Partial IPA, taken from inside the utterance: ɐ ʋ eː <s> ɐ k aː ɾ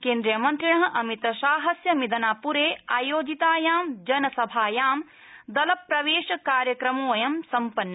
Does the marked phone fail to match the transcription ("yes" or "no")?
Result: yes